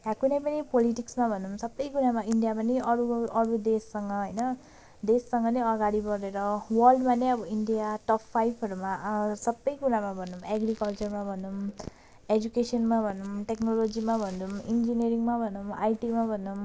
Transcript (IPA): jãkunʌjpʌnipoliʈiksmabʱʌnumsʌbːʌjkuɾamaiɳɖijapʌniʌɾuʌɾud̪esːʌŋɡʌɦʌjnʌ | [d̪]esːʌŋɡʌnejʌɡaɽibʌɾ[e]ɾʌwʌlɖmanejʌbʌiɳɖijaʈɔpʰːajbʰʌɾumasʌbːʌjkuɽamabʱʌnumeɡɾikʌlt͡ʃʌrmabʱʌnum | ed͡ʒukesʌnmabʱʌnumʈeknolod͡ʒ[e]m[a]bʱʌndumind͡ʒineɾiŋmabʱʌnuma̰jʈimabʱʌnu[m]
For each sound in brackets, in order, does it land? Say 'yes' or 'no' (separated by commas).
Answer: yes, yes, no, yes, yes